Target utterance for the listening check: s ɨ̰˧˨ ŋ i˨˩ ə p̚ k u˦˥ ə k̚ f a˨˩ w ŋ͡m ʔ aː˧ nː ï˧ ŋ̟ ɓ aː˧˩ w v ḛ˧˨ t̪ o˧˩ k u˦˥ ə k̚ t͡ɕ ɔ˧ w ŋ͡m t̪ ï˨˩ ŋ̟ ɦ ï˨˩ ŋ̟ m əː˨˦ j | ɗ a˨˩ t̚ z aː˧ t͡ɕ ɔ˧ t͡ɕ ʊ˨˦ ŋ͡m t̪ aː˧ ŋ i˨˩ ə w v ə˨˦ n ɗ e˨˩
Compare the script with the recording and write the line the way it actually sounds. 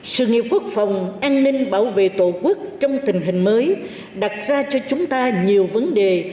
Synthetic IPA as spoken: s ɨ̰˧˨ ŋ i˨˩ ə p̚ k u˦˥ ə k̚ f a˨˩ w ŋ͡m ʔ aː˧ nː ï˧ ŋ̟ ɓ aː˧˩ w v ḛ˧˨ t̪ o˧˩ k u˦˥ ə k̚ t͡ɕ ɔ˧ w ŋ͡m t̪ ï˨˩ ŋ̟ ɦ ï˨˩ ŋ̟ m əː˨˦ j | ɗ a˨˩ t̚ z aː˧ t͡ɕ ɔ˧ t͡ɕ ʊ˨˦ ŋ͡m t̪ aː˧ ɲ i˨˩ ə w v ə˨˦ n ɗ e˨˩

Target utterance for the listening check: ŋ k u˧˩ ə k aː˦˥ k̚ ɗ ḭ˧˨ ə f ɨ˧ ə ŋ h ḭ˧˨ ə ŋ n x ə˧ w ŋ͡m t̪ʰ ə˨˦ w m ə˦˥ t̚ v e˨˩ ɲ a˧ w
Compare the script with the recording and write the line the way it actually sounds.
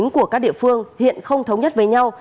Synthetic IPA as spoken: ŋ k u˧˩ ə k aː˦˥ k̚ ɗ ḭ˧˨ ə f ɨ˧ ə ŋ h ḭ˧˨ ə n x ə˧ w ŋ͡m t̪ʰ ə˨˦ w ɲ ə˦˥ t̚ v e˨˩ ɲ a˧ w

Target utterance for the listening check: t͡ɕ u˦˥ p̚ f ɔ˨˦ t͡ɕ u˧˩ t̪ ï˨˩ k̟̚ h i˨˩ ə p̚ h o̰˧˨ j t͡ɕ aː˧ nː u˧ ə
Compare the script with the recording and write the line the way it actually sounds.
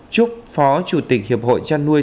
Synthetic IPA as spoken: t͡ɕ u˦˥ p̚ f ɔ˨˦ t͡ɕ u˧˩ t̪ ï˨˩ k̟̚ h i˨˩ ə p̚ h o̰˧˨ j t͡ɕ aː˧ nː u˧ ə

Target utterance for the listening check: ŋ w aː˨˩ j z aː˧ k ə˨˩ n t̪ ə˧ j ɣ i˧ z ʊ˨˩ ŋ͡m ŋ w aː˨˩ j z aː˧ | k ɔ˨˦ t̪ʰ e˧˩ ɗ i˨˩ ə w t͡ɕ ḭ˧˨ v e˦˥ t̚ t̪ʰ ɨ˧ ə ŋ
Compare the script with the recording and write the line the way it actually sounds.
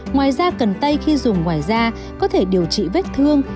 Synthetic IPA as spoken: ŋ w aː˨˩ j z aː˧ k ə˨˩ n t̪ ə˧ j x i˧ z ʊ˨˩ ŋ͡m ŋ w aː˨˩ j z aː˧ | k ɔ˨˦ t̪ʰ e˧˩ ɗ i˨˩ ə w t͡ɕ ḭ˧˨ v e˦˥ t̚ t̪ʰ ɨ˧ ə ŋ

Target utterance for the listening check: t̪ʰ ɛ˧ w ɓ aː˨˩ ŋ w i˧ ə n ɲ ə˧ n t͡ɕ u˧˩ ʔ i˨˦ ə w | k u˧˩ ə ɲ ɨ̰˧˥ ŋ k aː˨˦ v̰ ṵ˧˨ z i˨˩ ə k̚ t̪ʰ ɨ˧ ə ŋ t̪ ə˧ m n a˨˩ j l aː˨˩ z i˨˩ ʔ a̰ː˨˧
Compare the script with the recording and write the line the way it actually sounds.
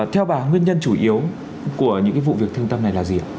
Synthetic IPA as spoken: t̪ʰ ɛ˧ w ɓ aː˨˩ ŋ w i˧ ə n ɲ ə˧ n t͡ɕ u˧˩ ʔ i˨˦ ə w | k u˧˩ ə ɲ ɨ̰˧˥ ŋ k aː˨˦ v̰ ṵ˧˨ v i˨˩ ə k̚ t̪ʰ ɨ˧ ə ŋ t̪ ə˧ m n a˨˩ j l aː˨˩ z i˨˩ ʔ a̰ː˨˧

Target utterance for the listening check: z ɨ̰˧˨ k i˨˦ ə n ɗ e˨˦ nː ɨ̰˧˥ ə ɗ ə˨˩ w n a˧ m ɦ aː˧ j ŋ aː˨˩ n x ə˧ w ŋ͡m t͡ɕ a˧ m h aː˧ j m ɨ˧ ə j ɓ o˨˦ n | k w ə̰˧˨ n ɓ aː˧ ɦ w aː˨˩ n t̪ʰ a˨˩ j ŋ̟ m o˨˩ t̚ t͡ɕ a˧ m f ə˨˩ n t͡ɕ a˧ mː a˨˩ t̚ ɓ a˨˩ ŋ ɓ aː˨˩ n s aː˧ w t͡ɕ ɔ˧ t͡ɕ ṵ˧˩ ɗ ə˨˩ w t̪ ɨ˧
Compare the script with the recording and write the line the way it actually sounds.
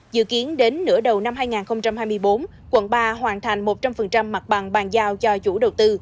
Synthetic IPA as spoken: z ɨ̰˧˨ k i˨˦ ə n ɗ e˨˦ nː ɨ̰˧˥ ə ɗ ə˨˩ w n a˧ m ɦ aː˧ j ŋ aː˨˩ n x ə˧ w ŋ͡m t͡ɕ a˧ m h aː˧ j m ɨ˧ ə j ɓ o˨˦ n | k w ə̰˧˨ n ɓ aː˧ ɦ w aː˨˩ n t̪ʰ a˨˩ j ŋ̟ m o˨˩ t̚ t͡ɕ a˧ m f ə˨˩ n t͡ɕ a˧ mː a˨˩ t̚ ɓ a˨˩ ŋ ɓ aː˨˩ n z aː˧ w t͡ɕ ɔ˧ t͡ɕ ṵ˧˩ ɗ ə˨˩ w t̪ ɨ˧

